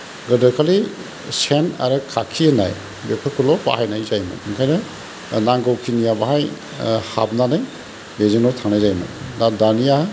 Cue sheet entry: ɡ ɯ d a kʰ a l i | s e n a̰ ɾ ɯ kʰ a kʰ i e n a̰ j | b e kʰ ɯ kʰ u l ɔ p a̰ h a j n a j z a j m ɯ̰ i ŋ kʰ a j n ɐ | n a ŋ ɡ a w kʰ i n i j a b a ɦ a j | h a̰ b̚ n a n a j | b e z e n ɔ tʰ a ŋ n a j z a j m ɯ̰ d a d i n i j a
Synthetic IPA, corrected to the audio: ɡ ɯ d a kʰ a l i | s e n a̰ ɾ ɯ kʰ a kʰ i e n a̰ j | b e pʰ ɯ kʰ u l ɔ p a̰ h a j n a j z a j m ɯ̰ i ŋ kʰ a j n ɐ | n a ŋ ɡ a w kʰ i n i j a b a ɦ a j | h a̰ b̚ n a n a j | b e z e n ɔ tʰ a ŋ n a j z a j m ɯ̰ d a d a n i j a

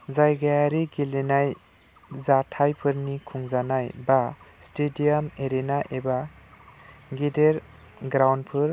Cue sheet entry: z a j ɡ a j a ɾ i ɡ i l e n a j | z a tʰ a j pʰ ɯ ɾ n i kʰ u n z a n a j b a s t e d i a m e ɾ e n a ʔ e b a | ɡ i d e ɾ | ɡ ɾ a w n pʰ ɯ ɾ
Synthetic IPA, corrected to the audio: z a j ɡ a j a ɾ i ɡ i l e n a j | z a tʰ a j pʰ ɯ ɾ n i kʰ u ŋ z a n a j b a s t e d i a m e ɾ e n a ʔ e b a | ɡ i d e ɾ | ɡ ɾ a w n pʰ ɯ ɾ

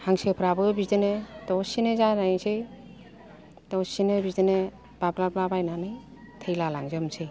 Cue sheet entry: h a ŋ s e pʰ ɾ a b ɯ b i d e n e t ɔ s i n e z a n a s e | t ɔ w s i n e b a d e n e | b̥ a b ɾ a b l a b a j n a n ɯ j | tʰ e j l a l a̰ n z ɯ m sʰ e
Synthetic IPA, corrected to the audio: h a ŋ s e pʰ ɾ a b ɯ b i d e n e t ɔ s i n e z a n a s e | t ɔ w s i n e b i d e n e | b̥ a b l a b l a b a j n a n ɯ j | tʰ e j l a l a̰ ŋ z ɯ m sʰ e

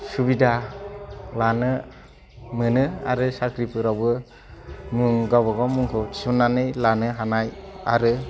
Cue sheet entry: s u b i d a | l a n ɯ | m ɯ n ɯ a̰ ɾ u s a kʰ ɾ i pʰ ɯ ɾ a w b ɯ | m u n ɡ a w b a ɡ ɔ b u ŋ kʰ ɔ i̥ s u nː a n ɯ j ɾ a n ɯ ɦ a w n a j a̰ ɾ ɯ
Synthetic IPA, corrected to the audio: s u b i d a | l a n ɯ | m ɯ n ɯ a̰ ɾ ɯ s a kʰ ɾ i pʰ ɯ ɾ a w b ɯ | m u ŋ ɡ a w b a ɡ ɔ m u ŋ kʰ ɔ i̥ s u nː a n ɯ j l a n ɯ ɦ a n a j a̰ ɾ ɯ

